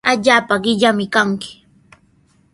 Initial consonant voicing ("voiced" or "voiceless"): voiced